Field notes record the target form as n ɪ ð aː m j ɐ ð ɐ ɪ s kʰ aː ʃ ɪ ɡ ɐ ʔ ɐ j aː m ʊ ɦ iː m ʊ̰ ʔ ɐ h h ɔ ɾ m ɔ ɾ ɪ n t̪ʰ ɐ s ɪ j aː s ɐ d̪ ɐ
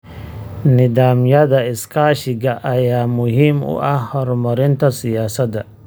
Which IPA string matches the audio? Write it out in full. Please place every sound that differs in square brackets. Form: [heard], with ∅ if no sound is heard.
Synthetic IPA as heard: n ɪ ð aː m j ɐ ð ɐ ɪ s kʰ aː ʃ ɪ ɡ ɐ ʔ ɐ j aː m ʊ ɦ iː m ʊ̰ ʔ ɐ h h ɔ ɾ m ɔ ɾ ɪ n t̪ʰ ɐ s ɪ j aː s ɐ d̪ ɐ